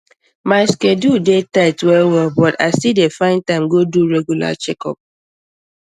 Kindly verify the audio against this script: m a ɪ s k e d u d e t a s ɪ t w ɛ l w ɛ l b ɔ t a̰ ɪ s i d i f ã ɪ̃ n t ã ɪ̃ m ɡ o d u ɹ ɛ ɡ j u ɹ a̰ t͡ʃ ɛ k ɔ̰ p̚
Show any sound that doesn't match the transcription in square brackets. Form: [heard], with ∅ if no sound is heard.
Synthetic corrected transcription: m a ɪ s k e d u d e t a [∅] ɪ t w ɛ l w ɛ l b ɔ t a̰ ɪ s i d [e] f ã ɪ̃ n t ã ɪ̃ m ɡ o d u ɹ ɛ ɡ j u [l] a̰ t͡ʃ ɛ k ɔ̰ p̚